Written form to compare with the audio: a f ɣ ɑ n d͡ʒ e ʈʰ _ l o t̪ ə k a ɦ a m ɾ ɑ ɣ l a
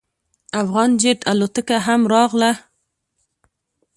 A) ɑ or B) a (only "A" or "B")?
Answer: B